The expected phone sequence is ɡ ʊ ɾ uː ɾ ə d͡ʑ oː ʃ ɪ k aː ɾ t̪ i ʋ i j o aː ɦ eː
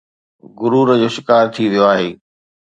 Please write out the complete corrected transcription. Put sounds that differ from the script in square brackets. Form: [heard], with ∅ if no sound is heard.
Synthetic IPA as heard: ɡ ʊ ɾ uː ɾ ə d͡ʑ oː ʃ ɪ k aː ɾ [t̪ʰ] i ʋ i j o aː ɦ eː